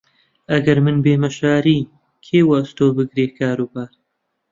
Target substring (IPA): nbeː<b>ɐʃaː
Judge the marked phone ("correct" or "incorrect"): incorrect